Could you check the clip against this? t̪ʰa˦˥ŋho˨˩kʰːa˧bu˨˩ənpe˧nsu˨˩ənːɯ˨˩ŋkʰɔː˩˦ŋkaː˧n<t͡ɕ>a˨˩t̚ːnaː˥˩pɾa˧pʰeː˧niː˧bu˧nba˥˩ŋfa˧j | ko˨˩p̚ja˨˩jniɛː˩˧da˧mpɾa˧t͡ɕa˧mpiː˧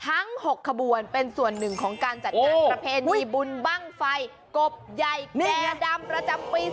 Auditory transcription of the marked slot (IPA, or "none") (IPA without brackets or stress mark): t͡ɕ